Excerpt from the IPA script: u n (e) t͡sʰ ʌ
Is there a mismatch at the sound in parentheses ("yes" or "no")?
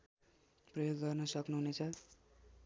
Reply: no